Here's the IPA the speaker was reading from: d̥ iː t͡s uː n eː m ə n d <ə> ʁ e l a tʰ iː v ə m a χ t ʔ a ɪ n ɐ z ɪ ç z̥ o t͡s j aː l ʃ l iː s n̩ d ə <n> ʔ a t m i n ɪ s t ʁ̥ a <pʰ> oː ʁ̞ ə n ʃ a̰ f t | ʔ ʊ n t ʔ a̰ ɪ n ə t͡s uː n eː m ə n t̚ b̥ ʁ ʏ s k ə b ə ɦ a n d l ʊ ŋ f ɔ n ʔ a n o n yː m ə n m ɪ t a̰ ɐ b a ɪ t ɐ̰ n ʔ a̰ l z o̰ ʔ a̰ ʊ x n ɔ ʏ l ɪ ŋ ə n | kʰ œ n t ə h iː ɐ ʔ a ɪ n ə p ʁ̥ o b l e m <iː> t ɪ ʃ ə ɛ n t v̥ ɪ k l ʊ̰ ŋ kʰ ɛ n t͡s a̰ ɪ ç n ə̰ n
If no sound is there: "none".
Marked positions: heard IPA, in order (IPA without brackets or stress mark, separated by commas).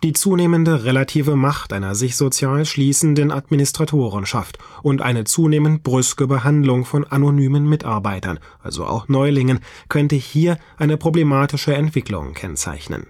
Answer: ə, n, tʰ, aː